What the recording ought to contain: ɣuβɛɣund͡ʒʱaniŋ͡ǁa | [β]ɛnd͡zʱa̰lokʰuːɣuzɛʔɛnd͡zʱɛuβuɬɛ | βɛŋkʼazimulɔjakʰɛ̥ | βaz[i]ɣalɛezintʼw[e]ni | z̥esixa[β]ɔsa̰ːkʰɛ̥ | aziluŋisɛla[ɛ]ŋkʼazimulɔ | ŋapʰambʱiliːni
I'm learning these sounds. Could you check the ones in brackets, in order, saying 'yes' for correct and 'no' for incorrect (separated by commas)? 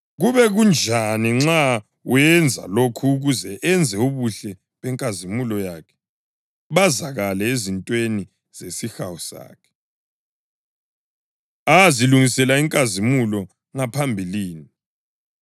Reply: no, no, yes, no, no